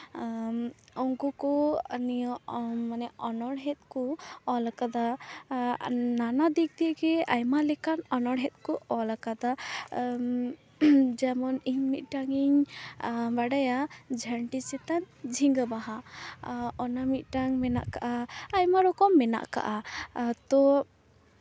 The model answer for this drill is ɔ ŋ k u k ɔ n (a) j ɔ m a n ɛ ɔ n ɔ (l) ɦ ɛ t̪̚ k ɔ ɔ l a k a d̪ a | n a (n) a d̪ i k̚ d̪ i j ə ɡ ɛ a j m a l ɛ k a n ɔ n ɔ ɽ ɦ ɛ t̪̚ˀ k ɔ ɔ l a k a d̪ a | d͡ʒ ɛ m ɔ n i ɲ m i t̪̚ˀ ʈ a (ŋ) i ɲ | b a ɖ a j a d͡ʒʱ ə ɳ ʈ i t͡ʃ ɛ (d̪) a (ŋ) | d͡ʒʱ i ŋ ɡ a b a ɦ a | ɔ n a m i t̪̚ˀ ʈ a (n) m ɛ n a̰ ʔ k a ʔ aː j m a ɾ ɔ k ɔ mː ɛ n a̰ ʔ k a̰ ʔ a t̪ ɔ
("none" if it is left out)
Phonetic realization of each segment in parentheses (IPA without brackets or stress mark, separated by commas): i, ɽ, n, ŋ, t̪, n, ŋ